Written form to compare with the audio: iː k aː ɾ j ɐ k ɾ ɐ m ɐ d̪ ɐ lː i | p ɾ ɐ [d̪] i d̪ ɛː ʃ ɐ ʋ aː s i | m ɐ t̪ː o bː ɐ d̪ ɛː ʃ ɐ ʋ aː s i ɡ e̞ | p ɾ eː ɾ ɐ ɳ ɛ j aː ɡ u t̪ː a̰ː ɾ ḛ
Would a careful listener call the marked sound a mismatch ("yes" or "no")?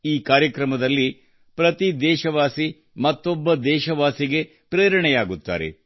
yes